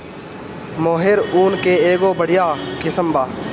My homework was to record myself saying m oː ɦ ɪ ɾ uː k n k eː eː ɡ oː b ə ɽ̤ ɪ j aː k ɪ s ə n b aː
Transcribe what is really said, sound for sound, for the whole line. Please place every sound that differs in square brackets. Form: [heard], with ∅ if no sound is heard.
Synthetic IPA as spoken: m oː ɦ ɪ ɾ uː [∅] n k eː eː ɡ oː b ə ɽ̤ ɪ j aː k ɪ s ə [m] b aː